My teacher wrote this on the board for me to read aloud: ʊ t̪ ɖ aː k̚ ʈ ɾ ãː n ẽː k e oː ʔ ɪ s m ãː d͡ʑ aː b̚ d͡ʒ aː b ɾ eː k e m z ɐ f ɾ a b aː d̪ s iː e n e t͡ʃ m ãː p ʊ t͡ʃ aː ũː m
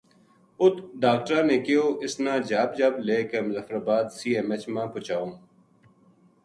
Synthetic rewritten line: ʊ t̪ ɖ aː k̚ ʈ ɾ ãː n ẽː k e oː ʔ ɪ s n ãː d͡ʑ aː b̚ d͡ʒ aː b l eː k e m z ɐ f ɾ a b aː d̪ s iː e m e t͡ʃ m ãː p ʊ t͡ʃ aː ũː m